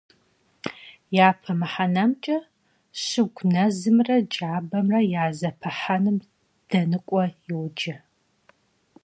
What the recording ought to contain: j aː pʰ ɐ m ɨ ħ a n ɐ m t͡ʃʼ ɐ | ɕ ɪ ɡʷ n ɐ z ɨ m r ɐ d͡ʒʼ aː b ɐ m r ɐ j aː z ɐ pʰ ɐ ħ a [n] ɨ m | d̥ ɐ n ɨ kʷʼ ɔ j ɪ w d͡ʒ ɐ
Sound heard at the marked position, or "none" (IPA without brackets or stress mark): n